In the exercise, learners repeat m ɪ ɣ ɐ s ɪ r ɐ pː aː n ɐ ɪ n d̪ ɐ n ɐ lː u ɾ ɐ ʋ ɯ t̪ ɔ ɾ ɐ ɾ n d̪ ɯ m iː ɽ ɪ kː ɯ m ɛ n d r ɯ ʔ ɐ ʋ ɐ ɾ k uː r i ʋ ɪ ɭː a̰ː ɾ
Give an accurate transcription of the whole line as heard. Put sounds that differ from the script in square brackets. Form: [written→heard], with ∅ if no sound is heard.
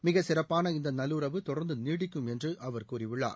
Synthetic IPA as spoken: m ɪ ɣ ɐ s ɪ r ɐ pː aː n ɐ ɪ n d̪ ɐ n ɐ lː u ɾ ɐ ʋ ɯ t̪ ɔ [ɾ→ɽ] ɐ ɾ n d̪ ɯ [m→n] iː ɽ ɪ kː ɯ m ɛ n d r ɯ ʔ ɐ ʋ ɐ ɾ k uː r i ʋ ɪ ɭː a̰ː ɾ